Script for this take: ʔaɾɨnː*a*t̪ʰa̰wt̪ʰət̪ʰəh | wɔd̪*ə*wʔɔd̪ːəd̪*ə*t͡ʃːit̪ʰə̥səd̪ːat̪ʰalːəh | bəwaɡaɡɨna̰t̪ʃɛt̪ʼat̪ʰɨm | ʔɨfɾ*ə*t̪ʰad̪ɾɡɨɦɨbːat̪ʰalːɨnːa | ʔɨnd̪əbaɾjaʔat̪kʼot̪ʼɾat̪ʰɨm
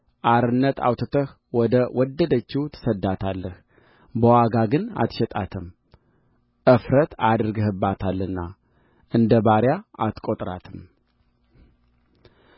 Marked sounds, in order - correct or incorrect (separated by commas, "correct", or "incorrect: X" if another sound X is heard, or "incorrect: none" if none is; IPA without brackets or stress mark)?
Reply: incorrect: ə, correct, correct, correct